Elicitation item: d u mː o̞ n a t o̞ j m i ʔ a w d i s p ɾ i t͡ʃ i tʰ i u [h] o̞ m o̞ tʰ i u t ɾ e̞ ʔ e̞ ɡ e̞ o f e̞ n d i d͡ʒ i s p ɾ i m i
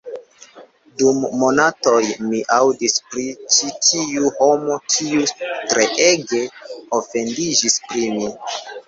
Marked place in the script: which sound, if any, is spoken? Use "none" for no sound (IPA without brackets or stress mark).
h